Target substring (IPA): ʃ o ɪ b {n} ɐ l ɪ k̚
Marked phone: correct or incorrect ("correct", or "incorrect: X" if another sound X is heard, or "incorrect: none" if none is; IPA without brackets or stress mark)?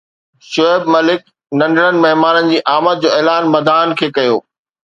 incorrect: m